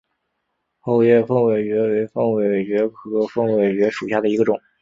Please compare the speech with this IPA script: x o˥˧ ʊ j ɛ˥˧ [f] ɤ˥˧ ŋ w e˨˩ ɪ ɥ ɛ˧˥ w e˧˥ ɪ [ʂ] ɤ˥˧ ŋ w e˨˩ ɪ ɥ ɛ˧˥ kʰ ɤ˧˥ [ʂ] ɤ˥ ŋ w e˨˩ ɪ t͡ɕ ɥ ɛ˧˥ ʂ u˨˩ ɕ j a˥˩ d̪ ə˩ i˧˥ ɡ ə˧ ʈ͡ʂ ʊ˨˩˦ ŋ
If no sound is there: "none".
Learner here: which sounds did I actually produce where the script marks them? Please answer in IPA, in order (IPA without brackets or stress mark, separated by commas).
f, f, f